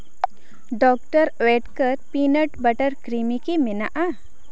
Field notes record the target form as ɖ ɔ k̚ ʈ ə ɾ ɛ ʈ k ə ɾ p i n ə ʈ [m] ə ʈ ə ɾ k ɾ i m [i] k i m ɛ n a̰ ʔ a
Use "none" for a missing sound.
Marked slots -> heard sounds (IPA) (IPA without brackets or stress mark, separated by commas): b, i